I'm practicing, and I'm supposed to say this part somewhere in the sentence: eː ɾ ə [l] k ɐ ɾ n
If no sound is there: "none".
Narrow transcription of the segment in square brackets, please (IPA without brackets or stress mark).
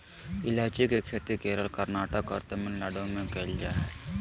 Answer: l